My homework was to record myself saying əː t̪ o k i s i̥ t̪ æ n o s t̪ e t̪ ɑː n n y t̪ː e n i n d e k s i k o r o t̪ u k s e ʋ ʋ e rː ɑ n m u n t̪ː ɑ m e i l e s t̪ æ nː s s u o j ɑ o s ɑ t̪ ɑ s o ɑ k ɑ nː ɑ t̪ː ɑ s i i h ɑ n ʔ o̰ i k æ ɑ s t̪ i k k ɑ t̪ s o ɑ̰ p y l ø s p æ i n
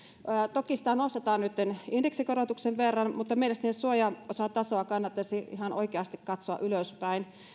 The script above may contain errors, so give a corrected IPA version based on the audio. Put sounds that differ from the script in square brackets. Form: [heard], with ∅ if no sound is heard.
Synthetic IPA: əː t̪ o k i s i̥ t̪ æ n o s t̪ e t̪ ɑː n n y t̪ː e n i n d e k s i k o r o t̪ u k s e ʋ ʋ e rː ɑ n m u [∅] t̪ː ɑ m e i l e s t̪ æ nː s s u o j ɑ o s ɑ t̪ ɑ s o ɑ k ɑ nː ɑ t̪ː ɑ s i i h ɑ n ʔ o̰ i k [e] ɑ s t̪ i k k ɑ t̪ s o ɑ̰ [ʔ] y l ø s p æ i n